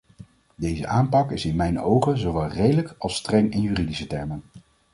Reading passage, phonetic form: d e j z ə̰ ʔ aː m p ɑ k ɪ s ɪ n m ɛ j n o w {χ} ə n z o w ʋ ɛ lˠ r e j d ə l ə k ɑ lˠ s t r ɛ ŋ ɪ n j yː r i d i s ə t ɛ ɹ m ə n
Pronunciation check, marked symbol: correct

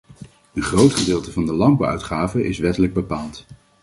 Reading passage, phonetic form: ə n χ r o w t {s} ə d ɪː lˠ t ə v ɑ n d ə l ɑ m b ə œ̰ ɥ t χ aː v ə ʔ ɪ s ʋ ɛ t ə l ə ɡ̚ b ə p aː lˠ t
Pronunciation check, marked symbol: incorrect: χ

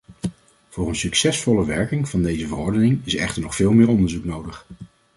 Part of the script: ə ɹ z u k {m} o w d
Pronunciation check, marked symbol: incorrect: n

